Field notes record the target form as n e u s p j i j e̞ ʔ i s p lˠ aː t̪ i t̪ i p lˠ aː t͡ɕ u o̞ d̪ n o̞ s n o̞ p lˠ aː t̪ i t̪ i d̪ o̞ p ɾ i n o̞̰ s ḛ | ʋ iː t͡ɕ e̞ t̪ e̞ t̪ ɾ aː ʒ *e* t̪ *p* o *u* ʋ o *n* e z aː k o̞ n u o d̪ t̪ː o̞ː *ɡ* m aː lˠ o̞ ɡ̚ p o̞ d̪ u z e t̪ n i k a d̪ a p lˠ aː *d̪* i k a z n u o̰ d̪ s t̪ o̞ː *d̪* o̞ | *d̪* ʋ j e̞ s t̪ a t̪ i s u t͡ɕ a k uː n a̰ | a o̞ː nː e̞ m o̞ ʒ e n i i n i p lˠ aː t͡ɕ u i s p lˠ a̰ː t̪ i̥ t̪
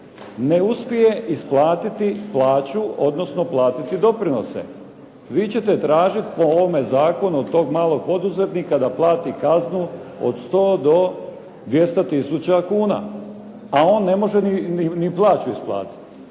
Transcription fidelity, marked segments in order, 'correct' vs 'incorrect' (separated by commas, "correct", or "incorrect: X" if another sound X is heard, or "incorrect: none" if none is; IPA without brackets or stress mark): incorrect: i, correct, incorrect: o, incorrect: m, correct, incorrect: t̪, correct, correct